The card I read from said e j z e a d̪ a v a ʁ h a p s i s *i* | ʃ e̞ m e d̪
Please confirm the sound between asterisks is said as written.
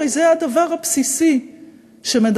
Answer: yes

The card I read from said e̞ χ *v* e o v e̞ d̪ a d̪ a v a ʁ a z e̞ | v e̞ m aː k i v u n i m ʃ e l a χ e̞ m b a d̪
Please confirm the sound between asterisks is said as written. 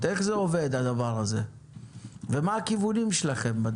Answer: no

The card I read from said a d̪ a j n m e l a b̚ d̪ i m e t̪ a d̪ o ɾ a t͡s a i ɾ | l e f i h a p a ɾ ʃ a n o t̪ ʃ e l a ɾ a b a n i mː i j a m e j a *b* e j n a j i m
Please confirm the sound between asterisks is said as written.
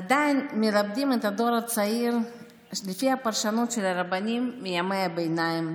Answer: yes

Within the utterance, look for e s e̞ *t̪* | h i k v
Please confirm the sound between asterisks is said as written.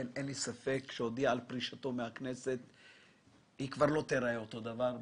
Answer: yes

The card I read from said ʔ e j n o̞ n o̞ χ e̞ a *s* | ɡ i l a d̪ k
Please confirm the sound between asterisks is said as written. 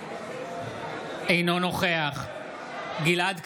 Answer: no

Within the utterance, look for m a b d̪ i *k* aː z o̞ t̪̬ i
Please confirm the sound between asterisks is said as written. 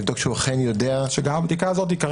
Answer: yes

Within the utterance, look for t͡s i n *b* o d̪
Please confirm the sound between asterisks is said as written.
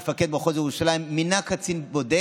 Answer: yes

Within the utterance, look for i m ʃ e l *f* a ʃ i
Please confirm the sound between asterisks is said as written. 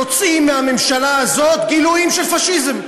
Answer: yes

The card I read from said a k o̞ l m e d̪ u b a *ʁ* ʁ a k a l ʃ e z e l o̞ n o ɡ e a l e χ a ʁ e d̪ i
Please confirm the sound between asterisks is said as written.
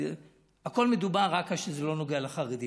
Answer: yes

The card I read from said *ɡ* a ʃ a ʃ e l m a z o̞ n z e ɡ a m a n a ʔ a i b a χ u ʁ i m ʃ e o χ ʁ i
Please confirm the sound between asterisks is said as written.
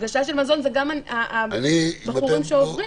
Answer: yes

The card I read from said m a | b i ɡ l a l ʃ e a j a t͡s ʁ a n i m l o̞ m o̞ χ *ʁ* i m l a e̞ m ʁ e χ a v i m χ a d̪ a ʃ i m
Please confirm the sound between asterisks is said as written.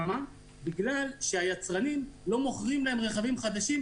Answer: yes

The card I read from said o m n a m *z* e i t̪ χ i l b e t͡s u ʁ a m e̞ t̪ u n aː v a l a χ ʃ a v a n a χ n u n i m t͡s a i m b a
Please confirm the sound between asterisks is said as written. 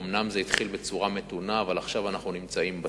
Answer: yes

